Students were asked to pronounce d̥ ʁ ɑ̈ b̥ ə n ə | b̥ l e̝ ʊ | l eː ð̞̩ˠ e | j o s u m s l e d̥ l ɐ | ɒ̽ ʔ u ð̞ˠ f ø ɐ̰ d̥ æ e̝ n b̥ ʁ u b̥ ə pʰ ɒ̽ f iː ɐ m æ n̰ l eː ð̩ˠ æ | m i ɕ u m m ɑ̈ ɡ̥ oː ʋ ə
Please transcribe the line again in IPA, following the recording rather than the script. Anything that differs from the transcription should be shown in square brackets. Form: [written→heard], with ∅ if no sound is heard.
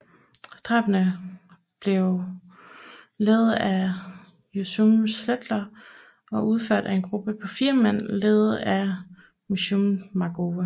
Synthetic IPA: d̥ ʁ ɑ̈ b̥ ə n ə | b̥ l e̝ ʊ | l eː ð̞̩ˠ [e→æ] | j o s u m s l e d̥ l ɐ | ɒ̽ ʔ u ð̞ˠ f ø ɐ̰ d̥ æ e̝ n [b̥→ɡ̥] ʁ u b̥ ə pʰ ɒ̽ f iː ɐ m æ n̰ l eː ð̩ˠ æ | m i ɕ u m m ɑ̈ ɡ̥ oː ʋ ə